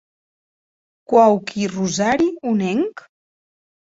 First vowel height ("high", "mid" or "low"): low